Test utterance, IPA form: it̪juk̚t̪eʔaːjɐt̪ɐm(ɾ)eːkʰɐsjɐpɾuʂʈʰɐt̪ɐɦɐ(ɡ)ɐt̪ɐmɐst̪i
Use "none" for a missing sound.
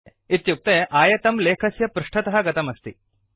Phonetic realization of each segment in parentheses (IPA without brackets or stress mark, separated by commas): l, ɡ